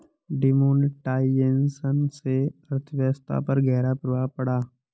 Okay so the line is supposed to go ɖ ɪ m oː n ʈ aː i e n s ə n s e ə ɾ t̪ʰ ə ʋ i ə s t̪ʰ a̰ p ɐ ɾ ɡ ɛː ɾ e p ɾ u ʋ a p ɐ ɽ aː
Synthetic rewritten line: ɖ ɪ m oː n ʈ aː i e n s ə n s e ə ɾ t̪ʰ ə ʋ j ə s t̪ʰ a̰ p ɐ ɾ ɡ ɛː ɾ a p ɾ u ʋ a p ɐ ɽ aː

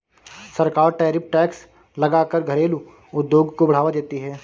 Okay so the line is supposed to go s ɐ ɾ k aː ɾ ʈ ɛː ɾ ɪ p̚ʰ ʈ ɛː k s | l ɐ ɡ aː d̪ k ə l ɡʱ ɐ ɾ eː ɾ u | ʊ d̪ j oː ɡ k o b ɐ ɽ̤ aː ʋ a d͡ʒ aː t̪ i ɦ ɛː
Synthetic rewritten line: s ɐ ɾ k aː ɾ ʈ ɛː ɾ ɪ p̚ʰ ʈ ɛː k s | l ɐ ɡ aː k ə ɾ ɡʱ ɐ ɾ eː l u | ʊ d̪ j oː ɡ k o b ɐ ɽ̤ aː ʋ a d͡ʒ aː t̪ i ɦ ɛː

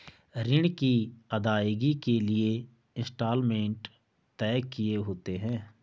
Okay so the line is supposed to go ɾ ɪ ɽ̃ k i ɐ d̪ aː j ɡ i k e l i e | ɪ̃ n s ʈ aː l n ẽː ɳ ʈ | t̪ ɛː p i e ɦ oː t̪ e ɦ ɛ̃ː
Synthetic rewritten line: ɾ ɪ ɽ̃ k i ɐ d̪ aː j ɡ i k e l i e | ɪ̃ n s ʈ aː l m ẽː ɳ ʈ | t̪ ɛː k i e ɦ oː t̪ e ɦ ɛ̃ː

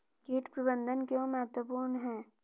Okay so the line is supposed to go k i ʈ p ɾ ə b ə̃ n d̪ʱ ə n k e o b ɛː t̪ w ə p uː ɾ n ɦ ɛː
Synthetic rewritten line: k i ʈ p ɾ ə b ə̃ n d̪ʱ ə n k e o m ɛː t̪ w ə p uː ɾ n ɦ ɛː

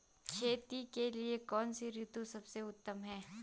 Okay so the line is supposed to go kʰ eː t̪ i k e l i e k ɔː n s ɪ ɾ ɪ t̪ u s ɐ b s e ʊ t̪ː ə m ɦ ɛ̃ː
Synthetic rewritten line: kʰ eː t̪ i k e l i e k ɔː n s i ɾ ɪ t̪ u s ɐ b s e ʊ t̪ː ə m ɦ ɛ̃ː

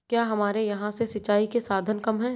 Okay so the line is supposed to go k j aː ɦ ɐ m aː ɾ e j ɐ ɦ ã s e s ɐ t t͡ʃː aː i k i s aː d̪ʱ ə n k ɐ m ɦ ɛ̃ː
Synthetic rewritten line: k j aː ɦ ɐ m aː ɾ e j ɐ ɦ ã s e s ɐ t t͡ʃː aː i k e s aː d̪ʱ ə n k ɐ m ɦ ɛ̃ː

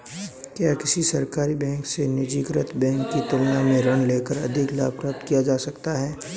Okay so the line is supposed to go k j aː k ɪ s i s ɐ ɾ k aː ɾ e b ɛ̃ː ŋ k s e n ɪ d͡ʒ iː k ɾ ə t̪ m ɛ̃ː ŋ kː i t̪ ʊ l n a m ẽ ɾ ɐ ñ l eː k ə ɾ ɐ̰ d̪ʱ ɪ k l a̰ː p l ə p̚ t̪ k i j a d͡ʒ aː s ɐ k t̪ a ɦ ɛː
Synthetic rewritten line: k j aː k ɪ s i s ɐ ɾ k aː ɾ i b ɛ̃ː ŋ k s e n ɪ d͡ʒ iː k ɾ ə t̪ b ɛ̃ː ŋ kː i t̪ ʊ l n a m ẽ ɾ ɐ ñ l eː k ə ɾ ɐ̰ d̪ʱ ɪ k l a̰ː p ɾ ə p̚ t̪ k i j a d͡ʒ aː s ɐ k t̪ a ɦ ɛː

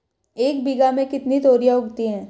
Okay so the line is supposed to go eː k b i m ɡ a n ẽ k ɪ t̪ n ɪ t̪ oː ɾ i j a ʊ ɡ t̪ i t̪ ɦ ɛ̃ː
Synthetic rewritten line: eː k b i ɡ a m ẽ k ɪ t̪ n i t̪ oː ɾ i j a ʊ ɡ t̪ i ɦ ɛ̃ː

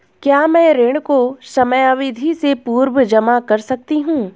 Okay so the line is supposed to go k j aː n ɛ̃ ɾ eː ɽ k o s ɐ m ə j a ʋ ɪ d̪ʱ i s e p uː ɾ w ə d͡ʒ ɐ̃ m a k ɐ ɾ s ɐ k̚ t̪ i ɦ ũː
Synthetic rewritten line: k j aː m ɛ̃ ɾ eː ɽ k o s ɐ m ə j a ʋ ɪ d̪ʱ i s e p uː ɾ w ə d͡ʒ ɐ m a k ɐ ɾ s ɐ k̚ t̪ i ɦ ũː

